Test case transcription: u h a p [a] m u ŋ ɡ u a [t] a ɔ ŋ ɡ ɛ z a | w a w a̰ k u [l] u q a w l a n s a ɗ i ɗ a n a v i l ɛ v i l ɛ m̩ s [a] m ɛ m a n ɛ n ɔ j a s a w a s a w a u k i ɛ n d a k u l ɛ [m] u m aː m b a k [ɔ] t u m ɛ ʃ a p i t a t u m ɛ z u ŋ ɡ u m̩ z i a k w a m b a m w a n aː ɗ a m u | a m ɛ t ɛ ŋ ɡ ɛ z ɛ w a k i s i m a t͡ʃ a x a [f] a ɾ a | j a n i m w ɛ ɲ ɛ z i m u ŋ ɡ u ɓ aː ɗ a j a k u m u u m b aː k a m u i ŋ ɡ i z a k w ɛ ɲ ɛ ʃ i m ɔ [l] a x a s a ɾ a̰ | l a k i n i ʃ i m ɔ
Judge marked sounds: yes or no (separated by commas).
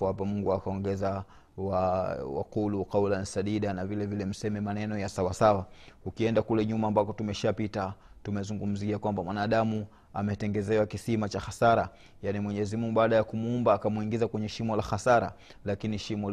yes, no, yes, no, no, yes, no, yes